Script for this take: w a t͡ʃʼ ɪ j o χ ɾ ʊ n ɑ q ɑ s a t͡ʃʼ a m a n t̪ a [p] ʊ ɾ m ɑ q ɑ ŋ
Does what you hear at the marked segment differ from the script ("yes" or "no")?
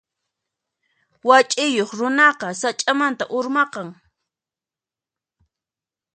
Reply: yes